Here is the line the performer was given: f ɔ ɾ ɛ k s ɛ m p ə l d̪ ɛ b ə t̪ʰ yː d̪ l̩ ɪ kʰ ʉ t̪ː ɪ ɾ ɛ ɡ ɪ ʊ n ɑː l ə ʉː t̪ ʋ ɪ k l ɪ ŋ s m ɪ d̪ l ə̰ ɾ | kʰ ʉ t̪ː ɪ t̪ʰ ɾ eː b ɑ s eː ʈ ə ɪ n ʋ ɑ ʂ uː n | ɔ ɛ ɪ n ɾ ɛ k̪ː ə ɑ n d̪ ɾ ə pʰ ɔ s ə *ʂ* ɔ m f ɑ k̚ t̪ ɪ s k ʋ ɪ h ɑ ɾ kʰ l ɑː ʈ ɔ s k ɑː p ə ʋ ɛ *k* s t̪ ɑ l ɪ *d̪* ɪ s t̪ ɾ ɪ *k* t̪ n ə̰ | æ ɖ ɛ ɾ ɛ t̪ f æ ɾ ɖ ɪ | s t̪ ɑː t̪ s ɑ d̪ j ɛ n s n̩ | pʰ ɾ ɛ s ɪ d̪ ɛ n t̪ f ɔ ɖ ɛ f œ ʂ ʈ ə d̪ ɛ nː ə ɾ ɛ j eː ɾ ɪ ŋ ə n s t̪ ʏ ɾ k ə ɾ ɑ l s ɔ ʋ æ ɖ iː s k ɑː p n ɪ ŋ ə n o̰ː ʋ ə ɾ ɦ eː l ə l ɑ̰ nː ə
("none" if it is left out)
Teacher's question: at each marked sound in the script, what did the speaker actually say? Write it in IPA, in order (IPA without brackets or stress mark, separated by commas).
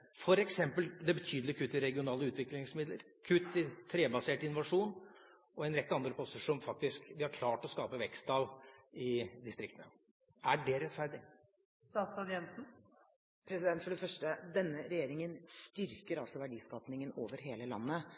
ʂ, k, d̪, k